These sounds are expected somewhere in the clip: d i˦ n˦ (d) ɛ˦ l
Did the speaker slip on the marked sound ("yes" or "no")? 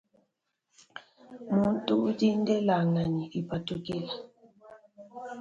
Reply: no